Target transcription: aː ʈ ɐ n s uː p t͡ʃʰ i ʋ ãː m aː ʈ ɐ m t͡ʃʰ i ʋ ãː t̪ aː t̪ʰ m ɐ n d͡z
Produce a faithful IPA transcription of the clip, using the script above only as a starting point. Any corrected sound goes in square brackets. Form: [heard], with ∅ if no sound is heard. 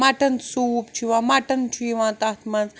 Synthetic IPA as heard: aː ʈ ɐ n s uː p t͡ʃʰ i ʋ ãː m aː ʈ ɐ [n] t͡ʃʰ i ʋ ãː t̪ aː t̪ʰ m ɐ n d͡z